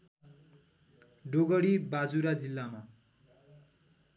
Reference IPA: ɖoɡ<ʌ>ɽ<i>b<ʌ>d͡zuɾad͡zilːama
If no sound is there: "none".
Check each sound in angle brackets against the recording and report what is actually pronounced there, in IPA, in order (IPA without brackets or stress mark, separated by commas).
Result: ʌ, i, a